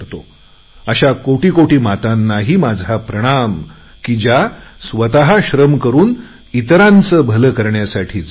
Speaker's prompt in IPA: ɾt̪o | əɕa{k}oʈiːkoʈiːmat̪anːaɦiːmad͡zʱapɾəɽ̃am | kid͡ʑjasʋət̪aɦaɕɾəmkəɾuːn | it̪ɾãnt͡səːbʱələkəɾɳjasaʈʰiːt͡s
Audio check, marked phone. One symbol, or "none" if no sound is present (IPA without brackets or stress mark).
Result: k